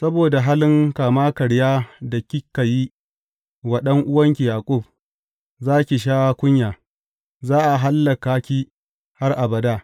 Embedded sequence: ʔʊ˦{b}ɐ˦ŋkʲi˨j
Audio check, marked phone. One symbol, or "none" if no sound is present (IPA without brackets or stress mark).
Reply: w